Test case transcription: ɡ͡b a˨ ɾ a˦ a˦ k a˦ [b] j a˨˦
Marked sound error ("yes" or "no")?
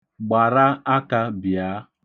no